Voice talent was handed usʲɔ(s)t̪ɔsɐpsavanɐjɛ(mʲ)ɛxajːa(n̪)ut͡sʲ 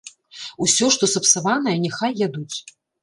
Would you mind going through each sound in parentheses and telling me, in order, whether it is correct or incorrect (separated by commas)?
incorrect, incorrect, incorrect